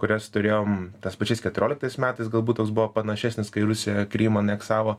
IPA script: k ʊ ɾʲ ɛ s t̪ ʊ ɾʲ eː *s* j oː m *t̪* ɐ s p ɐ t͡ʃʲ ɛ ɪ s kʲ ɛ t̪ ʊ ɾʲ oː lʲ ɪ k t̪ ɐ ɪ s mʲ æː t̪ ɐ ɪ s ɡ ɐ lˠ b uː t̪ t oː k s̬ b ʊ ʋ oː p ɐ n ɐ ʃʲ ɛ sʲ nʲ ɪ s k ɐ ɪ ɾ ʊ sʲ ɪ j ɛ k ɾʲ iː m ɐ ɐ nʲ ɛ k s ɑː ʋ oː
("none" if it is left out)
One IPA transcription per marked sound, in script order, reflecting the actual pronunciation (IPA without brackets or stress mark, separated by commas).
none, t̪